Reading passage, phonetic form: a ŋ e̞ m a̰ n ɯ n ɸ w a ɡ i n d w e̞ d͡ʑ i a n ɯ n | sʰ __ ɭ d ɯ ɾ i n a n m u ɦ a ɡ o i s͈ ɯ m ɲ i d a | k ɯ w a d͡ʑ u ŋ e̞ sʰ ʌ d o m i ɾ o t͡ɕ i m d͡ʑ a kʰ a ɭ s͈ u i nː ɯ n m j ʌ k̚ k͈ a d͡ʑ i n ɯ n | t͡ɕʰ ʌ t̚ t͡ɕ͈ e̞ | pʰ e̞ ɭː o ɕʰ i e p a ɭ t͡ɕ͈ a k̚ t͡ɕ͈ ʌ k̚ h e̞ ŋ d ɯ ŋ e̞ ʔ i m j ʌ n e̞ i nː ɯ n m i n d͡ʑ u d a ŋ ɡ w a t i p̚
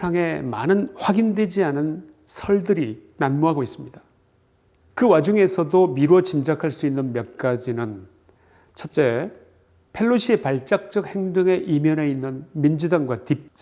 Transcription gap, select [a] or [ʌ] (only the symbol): ʌ